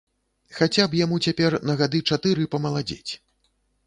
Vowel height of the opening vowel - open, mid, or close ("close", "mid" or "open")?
open